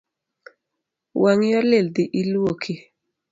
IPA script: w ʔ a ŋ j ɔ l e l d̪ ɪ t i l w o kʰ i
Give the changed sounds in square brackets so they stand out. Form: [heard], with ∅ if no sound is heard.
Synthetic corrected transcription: w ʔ a ŋ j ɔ l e l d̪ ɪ [ʔ] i l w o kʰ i